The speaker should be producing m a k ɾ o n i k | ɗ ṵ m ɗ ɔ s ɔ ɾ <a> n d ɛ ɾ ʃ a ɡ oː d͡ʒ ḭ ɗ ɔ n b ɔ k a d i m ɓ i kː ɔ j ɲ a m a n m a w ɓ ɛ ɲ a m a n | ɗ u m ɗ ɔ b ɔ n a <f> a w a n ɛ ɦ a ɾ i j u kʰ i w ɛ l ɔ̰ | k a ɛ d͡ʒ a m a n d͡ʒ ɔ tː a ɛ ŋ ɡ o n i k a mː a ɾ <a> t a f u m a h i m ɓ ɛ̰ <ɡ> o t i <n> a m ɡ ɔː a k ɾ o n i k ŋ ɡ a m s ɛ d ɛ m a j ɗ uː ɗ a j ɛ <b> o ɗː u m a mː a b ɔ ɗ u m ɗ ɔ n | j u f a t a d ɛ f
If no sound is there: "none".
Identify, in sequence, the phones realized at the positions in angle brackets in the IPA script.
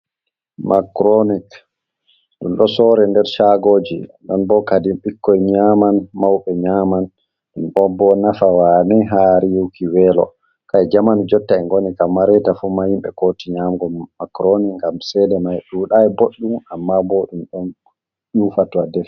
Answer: ɛ, f, ɛ, k, ɲ, b

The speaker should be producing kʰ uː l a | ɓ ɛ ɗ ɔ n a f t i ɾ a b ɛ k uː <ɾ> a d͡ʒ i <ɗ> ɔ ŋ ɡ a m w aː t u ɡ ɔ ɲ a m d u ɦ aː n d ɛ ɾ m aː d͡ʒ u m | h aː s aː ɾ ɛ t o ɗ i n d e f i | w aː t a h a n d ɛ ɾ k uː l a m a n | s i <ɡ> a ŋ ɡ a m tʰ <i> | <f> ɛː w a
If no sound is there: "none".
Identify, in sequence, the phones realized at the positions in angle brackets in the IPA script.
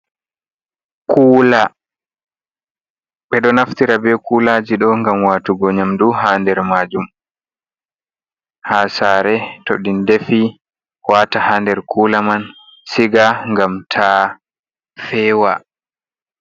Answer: l, ɗ, ɡ, a, f

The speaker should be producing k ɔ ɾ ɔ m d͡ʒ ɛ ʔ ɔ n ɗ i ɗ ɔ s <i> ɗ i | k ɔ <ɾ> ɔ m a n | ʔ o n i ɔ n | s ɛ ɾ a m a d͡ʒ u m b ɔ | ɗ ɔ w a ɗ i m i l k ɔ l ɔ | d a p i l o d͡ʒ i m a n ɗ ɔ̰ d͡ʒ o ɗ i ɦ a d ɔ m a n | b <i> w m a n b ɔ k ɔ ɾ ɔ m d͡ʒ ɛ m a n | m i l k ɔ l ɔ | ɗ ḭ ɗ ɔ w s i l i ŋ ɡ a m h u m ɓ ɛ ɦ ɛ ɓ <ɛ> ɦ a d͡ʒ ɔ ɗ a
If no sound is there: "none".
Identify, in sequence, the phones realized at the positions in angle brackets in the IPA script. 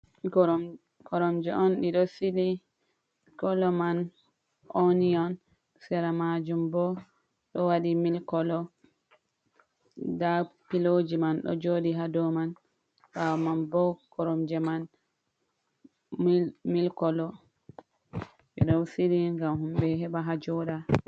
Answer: i, l, a, a

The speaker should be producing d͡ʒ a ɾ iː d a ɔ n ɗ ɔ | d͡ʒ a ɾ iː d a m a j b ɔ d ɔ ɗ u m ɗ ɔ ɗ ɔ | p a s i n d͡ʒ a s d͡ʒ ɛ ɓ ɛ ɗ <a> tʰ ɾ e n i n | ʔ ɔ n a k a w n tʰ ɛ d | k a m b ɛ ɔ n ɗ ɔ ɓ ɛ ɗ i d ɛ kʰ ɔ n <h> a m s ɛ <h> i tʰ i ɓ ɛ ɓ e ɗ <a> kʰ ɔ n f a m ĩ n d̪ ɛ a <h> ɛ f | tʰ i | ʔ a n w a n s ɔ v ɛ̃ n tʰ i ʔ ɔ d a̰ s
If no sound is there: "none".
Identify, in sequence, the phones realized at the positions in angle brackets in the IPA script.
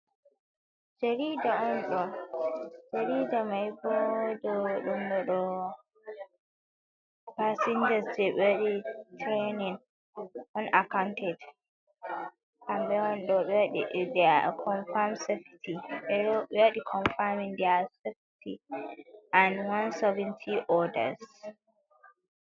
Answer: i, f, f, i, s

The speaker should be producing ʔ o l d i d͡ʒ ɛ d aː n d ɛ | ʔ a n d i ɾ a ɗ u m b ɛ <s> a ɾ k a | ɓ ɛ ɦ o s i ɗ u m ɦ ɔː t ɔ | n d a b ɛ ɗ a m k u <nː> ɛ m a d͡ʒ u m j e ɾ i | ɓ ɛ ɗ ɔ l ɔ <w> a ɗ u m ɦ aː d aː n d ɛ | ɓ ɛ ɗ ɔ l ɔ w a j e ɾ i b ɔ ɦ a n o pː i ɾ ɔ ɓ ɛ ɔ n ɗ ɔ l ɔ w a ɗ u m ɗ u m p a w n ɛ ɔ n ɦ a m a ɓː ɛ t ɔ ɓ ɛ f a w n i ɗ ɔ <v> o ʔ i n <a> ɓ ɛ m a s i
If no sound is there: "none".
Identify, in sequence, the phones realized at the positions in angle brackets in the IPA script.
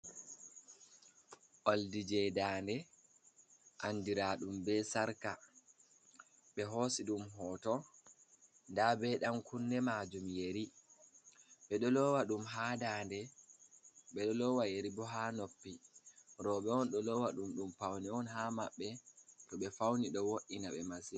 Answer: s, nː, w, w, a

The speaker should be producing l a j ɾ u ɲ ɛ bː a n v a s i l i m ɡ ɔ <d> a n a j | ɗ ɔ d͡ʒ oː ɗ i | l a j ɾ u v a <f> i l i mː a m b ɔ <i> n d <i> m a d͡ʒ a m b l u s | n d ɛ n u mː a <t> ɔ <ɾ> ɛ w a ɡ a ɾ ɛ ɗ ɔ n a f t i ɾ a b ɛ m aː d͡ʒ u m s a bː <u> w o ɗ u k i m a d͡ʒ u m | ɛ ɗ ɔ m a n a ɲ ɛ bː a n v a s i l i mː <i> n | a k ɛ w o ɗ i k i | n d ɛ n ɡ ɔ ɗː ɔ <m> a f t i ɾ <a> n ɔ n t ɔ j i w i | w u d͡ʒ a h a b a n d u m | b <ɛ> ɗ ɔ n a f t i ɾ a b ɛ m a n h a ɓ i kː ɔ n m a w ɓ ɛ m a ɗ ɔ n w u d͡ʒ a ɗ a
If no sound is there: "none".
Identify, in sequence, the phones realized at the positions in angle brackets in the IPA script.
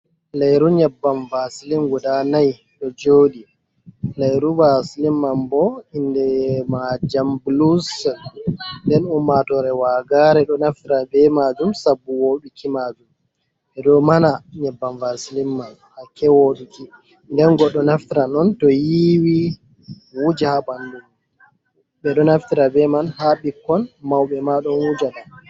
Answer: d, s, i, ɛ, t, ɾ, u, a, n, a, ɛ

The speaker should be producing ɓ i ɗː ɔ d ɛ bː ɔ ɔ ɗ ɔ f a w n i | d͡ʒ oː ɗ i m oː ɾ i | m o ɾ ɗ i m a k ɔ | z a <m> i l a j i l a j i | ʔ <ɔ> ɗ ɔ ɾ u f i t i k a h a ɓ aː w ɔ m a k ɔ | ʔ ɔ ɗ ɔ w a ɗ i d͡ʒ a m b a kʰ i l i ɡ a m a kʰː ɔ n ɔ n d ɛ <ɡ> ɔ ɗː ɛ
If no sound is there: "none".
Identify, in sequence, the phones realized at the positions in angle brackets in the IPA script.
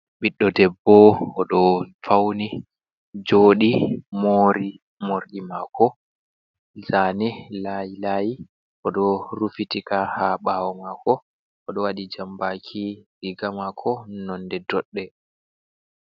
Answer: n, ɔ, d

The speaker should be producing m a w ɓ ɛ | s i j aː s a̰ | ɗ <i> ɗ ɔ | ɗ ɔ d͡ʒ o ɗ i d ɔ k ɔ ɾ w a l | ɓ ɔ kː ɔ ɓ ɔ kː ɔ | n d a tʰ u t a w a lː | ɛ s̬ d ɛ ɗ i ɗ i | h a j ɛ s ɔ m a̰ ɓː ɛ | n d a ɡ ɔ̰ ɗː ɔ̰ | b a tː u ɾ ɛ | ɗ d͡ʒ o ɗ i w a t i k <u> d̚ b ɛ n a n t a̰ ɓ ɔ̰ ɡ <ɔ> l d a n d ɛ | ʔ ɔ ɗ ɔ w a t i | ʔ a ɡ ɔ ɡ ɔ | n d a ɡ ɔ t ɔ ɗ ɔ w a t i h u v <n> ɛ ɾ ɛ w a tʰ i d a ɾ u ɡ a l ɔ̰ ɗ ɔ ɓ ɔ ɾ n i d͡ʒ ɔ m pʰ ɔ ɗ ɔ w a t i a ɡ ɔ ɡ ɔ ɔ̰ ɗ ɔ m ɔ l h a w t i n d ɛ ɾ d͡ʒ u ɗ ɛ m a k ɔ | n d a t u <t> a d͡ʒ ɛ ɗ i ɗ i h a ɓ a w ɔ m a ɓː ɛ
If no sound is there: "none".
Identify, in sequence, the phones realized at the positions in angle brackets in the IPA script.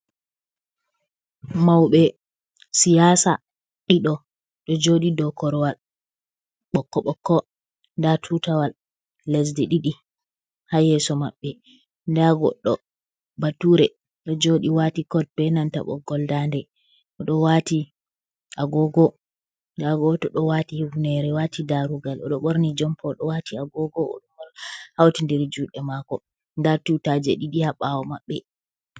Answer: i, ɔ, ɔ, n, t

